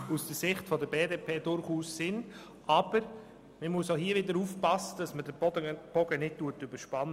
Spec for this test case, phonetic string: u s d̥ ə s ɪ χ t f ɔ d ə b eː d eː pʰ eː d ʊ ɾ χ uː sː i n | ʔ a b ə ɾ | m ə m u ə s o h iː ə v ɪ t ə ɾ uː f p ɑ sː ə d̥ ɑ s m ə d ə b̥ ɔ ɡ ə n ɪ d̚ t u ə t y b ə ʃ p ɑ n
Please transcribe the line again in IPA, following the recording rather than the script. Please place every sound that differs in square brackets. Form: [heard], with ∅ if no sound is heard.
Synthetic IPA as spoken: u s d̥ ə s ɪ χ t f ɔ d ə b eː d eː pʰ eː d ʊ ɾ χ uː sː [ɪ] n | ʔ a b ə ɾ | m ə m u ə s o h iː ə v ɪ [d] ə ɾ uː f p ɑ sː ə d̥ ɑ s m ə d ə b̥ ɔ ɡ ə n ɪ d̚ t u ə t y b ə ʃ p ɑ n